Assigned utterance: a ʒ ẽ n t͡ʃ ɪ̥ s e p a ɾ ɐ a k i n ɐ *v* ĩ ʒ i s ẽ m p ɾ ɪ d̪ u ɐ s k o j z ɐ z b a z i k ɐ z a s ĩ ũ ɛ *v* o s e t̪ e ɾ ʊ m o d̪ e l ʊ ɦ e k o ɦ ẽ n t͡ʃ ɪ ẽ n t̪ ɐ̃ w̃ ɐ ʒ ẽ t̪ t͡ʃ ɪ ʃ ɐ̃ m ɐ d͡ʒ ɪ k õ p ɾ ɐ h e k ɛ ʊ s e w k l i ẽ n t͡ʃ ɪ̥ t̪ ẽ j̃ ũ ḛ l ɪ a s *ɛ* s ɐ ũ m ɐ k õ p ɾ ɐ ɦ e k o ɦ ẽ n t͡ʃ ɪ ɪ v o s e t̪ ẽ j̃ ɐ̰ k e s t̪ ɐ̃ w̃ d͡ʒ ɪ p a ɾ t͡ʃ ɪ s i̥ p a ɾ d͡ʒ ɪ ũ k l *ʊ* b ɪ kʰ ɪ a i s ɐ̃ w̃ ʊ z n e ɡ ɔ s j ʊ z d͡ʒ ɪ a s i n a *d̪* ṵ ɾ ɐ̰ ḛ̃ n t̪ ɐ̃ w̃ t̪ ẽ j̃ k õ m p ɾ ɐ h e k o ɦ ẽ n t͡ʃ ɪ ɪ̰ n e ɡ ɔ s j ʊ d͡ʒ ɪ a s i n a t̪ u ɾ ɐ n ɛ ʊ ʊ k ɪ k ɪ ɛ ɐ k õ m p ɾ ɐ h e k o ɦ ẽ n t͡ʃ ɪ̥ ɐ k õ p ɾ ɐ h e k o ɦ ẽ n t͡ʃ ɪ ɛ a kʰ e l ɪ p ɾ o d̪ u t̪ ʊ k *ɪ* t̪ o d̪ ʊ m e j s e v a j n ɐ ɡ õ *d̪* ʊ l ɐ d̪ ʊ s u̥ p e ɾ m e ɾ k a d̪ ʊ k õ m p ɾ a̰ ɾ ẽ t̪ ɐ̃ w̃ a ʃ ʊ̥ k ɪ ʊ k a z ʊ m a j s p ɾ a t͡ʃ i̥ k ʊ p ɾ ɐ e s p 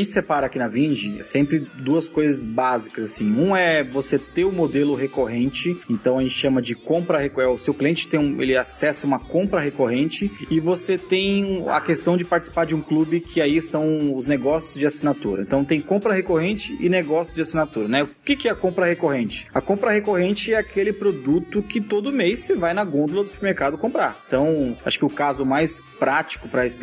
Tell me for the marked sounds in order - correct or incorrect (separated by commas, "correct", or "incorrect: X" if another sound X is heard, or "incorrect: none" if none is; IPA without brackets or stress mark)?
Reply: correct, correct, correct, incorrect: u, incorrect: t̪, correct, correct